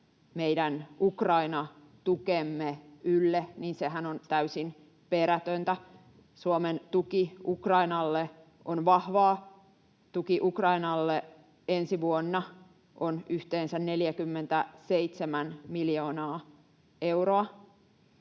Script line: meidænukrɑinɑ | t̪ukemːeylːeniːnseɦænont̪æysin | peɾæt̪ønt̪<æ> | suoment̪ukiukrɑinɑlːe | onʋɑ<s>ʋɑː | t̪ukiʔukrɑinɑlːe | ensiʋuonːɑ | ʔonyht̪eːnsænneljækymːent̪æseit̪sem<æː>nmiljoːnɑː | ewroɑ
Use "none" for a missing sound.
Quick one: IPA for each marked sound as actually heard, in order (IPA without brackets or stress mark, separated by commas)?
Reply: æ, h, æ